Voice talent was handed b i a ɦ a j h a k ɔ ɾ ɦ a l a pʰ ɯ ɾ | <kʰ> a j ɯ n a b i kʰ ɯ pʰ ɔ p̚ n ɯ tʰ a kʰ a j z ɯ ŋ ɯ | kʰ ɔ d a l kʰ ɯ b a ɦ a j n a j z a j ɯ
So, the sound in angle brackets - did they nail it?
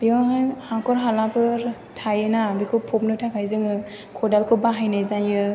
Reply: no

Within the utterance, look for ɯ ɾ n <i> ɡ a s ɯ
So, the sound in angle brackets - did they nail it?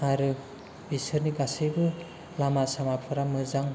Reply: yes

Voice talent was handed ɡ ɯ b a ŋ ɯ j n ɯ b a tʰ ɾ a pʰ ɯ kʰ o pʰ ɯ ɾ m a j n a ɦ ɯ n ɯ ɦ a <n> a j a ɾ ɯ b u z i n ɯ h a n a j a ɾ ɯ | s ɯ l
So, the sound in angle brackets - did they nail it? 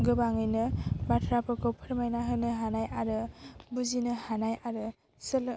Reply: yes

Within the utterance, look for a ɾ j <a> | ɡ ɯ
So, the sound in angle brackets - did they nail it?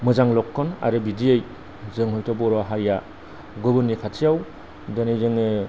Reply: yes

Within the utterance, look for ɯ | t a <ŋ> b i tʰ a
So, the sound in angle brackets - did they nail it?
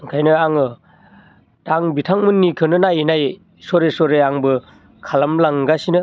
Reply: yes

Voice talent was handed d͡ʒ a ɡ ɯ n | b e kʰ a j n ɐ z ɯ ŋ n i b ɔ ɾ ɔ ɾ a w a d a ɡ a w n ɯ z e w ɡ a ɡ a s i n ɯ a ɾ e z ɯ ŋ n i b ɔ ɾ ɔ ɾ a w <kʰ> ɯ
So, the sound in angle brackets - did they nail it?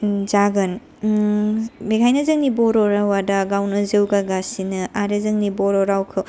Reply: yes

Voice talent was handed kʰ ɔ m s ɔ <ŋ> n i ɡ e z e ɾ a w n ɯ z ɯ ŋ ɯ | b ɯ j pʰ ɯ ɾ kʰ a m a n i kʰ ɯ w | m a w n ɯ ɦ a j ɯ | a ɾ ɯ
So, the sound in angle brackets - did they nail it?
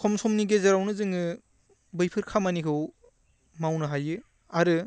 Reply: no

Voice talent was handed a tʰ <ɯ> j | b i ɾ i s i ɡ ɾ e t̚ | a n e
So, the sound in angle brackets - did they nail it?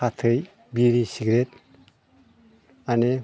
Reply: yes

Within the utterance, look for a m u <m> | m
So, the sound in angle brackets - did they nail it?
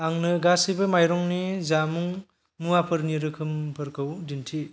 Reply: no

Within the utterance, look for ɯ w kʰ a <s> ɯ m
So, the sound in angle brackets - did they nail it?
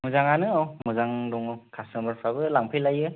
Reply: yes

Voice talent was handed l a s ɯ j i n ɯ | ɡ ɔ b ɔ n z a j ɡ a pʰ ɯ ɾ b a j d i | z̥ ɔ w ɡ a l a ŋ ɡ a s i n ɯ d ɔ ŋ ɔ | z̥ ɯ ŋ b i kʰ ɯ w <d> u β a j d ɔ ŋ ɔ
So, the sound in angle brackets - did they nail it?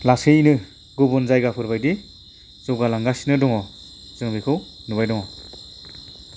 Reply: no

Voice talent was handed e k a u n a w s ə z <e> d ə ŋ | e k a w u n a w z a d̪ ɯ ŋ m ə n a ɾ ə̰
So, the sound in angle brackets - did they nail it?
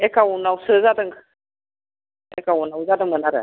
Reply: no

